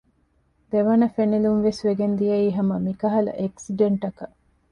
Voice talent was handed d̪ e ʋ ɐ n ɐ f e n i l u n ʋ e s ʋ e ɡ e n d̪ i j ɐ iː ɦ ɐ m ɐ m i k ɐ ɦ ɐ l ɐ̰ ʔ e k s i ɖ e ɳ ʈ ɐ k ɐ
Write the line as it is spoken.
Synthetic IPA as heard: d̪ e ʋ ɐ n ɐ f e n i l u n ʋ e s ʋ e ɡ e n d̪ i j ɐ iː ɦ ɐ m ɐ m i k ɐ ɦ ɐ l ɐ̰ ʔ e k s i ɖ e ɳ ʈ ɐ k ɐ